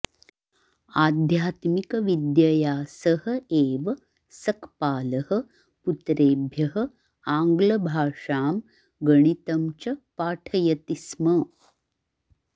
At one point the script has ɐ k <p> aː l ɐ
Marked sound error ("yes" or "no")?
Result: no